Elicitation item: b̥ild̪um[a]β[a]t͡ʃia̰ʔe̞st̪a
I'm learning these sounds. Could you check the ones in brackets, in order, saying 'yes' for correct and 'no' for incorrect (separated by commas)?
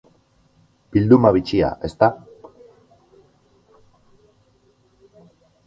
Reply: yes, no